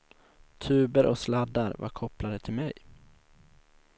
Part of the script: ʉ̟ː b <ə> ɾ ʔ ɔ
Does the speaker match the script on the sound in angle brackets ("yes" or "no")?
yes